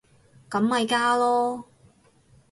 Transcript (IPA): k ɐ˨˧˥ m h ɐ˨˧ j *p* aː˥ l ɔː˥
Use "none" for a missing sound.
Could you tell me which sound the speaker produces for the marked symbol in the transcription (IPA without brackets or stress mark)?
k